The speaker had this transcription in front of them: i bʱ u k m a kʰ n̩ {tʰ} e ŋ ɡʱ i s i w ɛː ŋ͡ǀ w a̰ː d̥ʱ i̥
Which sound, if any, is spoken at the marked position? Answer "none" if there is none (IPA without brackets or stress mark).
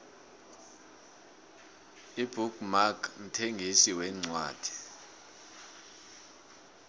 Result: tʰ